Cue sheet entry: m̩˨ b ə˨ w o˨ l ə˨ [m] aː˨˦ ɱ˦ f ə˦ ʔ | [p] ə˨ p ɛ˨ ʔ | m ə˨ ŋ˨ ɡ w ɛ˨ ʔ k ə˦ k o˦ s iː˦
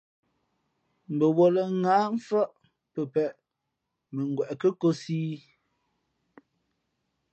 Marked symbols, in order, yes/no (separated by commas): no, yes